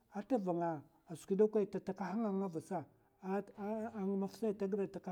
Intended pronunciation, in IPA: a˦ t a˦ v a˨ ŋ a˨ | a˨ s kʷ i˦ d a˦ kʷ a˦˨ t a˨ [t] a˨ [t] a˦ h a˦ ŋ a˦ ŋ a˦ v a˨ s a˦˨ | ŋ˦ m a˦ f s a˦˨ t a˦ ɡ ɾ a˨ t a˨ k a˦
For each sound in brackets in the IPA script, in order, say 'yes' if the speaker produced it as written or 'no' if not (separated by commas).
yes, no